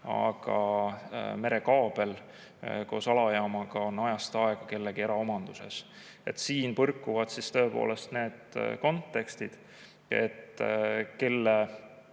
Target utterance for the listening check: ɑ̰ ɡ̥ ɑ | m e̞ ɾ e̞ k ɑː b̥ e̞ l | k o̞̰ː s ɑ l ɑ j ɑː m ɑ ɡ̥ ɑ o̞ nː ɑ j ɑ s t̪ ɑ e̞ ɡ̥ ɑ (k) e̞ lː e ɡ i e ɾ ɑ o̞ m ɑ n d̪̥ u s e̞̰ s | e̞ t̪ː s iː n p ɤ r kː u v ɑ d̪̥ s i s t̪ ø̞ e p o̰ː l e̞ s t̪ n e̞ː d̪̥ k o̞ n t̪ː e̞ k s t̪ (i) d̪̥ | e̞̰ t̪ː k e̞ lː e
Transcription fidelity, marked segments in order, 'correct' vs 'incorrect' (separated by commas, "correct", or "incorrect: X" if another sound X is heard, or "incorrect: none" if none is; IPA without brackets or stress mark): correct, correct